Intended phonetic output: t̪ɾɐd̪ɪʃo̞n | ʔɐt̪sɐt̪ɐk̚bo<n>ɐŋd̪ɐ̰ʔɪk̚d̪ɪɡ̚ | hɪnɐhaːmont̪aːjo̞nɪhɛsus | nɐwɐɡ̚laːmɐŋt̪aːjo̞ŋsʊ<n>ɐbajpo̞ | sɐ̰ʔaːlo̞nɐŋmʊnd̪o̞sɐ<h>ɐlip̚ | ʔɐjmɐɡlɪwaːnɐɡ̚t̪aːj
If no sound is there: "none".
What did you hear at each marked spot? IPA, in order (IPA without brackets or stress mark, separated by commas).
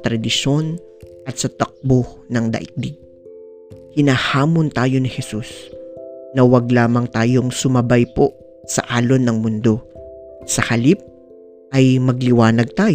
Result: n, m, h